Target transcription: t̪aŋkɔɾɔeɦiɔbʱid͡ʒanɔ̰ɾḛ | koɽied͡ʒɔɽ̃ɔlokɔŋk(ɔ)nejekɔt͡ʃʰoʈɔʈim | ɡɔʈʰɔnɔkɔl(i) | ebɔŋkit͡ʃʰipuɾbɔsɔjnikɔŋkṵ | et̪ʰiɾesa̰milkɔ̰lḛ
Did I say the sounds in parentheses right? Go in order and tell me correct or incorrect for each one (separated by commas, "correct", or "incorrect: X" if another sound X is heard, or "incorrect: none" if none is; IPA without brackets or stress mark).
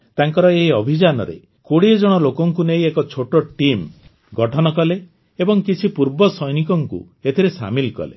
incorrect: u, incorrect: e